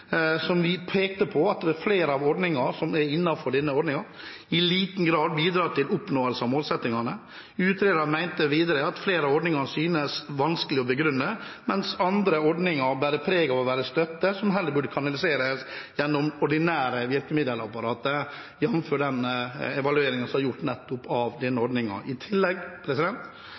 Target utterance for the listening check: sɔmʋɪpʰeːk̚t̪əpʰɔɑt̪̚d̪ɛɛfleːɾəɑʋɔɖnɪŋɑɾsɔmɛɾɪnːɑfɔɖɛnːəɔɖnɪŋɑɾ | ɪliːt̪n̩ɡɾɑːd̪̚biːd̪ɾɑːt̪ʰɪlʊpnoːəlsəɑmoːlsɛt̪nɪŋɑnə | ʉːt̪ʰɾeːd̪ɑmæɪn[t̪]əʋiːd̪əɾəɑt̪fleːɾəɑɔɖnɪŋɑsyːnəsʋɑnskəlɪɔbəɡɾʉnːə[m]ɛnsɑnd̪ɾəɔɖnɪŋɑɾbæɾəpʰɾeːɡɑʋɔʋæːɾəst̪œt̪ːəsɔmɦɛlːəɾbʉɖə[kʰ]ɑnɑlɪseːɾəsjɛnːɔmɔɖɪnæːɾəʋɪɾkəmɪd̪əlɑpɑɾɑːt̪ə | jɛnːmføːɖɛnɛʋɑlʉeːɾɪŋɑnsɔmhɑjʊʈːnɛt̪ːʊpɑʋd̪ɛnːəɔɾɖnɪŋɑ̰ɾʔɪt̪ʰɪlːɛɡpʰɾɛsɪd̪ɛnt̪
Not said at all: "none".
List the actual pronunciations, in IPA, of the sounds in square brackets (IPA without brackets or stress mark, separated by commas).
t̪, m, kʰ